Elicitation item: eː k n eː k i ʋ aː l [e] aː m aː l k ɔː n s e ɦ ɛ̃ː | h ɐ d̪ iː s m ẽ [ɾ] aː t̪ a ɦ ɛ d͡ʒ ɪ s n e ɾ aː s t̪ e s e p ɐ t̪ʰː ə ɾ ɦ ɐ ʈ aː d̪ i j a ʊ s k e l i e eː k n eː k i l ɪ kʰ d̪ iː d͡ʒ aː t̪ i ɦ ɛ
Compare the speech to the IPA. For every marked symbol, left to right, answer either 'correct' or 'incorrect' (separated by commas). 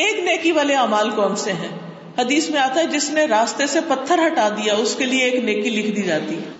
correct, incorrect